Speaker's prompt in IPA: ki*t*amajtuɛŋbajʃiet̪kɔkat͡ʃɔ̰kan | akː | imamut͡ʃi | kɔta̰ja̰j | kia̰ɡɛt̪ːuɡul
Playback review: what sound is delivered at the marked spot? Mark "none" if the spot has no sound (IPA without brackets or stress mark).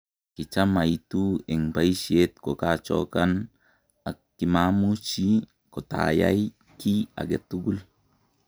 t͡ʃ